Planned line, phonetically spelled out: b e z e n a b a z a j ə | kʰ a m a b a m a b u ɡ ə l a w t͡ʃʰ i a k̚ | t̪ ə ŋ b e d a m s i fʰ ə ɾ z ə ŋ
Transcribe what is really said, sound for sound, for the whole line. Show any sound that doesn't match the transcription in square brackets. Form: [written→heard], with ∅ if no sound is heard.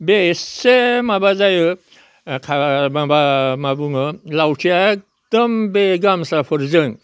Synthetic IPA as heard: b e [z→s] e [n→m] a b a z a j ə | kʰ a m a b a m a b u [ɡ→ŋ] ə l a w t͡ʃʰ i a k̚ | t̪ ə [ŋ→m] b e [d→ɡ] a m s [i→a] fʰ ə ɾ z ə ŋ